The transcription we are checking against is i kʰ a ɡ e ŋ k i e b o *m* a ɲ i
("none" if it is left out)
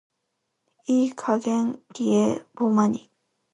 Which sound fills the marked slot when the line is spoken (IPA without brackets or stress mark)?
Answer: m